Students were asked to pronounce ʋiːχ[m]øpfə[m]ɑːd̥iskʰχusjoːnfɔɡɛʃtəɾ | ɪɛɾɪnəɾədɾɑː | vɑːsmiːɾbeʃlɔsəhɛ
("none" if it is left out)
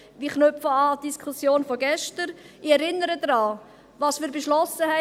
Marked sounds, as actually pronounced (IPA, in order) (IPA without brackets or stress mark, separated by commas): n, none